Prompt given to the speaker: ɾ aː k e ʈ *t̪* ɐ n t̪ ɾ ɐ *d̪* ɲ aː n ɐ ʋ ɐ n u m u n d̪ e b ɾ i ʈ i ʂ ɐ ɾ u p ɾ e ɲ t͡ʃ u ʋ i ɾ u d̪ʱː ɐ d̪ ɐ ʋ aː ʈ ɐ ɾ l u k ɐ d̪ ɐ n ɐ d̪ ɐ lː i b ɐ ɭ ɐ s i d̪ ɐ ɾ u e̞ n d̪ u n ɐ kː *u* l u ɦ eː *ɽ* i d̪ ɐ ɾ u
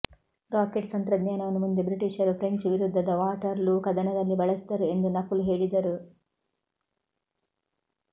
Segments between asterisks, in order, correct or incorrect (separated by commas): correct, correct, correct, incorrect